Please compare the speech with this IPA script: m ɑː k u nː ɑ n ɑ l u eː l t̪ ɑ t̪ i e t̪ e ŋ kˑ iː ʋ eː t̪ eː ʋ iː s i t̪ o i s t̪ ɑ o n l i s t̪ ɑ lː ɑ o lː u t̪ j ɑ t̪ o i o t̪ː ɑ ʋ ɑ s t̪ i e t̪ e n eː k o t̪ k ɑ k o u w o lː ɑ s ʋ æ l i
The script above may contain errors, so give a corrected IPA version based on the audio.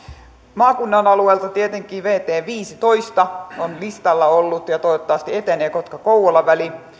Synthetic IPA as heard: m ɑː k u nː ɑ n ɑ l u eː l t̪ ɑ t̪ i e t̪ e ŋ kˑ iː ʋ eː t̪ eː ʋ iː s i t̪ o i s t̪ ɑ o n l i s t̪ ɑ lː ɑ o lː u t̪ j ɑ t̪ o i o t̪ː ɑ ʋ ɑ s t̪ i e t̪ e n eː k o t̪ k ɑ k o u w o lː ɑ ʋ æ l i